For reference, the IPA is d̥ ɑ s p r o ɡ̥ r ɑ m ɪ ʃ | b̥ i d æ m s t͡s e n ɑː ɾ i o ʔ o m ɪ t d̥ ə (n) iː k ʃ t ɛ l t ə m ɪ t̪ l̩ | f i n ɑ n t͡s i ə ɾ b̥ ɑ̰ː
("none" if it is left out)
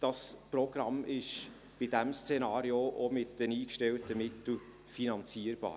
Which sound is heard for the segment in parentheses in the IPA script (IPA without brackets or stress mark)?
n